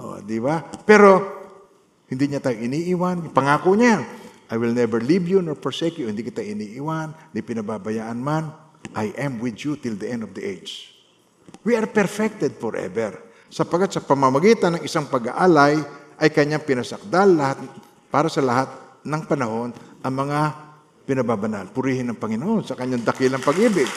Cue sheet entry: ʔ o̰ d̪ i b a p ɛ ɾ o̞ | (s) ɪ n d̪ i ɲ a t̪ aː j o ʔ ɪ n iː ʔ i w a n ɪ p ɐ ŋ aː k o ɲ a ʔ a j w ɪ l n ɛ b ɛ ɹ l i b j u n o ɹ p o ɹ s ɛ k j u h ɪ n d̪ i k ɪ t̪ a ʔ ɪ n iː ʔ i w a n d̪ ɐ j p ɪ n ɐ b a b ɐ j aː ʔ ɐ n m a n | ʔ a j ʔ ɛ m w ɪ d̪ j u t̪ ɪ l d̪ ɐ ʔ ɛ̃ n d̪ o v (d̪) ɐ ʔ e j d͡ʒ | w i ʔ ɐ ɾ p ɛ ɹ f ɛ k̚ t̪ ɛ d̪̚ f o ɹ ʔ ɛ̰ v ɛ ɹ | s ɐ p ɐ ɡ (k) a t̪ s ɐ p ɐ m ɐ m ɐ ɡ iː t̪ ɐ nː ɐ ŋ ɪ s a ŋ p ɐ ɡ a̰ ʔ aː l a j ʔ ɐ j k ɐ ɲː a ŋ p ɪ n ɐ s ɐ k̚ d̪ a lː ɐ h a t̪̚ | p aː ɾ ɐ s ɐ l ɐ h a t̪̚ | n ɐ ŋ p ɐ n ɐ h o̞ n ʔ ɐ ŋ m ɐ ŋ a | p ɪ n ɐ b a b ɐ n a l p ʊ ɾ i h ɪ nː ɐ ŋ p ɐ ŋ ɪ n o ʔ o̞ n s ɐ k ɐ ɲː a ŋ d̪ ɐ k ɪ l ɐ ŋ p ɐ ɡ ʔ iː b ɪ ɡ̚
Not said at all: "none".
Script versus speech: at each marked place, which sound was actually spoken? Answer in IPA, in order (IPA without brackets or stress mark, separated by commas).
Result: h, d̪, k